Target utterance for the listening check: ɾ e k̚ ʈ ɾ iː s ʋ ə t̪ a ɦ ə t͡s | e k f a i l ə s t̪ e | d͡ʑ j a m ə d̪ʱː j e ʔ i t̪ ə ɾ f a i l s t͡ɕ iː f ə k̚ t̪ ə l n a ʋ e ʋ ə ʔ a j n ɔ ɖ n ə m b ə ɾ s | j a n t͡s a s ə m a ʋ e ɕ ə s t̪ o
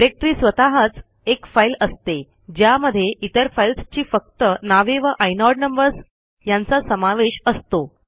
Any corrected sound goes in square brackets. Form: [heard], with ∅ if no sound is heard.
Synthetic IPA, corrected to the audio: ɾ e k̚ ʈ ɾ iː s ʋ ə t̪ a ɦ ə t͡s | e k f a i l ə s t̪ e | d͡ʑ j a m ə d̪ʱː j e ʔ i t̪ ə ɾ f a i l s t͡ɕ iː f ə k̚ t̪ ə [∅] n a ʋ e ʋ ə ʔ a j n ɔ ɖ n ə m b ə ɾ s | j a n t͡s a s ə m a ʋ e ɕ ə s t̪ o

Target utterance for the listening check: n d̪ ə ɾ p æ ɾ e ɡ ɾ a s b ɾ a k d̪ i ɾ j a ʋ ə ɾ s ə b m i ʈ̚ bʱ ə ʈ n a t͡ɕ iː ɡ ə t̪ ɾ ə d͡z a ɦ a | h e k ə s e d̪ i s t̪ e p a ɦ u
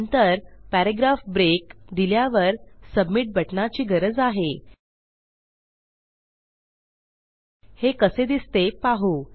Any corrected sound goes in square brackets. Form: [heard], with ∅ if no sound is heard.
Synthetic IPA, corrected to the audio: n [t̪] ə ɾ p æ ɾ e ɡ ɾ a [f] b ɾ [e] k d̪ i [l] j a ʋ ə ɾ s ə b m i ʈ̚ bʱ ə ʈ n a t͡ɕ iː ɡ ə [∅] ɾ ə d͡z a ɦ [e] | h e k ə s e d̪ i s t̪ e p a ɦ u

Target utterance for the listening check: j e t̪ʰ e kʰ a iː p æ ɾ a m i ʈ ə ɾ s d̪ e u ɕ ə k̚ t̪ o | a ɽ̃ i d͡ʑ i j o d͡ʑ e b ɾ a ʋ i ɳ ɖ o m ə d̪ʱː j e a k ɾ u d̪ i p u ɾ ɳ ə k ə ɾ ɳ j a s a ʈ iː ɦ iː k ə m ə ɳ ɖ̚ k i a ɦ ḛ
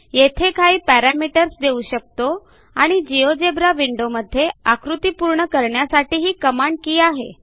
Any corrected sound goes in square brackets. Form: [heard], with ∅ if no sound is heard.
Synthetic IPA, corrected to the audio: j e t̪ʰ e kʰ a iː p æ ɾ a m i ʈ ə ɾ s d̪ e u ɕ ə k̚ t̪ o | a ɽ̃ i d͡ʑ i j o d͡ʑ e b ɾ a ʋ i ɳ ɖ o m ə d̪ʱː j e a k ɾ u [t̪] i p u ɾ ɳ ə k ə ɾ ɳ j a s a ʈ iː ɦ iː k ə m [a] ɳ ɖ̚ k [iː] a ɦ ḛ

